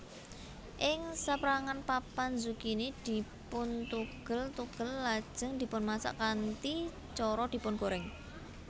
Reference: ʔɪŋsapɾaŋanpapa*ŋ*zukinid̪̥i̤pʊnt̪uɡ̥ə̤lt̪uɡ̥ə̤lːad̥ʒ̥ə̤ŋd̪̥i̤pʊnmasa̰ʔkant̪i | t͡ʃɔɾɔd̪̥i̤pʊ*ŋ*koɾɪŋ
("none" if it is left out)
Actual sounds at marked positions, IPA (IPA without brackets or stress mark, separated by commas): n, n